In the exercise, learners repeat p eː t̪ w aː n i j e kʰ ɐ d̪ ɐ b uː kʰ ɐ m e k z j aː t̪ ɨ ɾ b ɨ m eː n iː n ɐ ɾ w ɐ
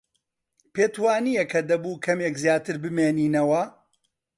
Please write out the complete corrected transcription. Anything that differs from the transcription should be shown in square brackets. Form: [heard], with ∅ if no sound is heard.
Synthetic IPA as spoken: p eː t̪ w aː n i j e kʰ ɐ d̪ ɐ b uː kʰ ɐ m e k z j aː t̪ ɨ ɾ b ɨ m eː n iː n ɐ [∅] w ɐ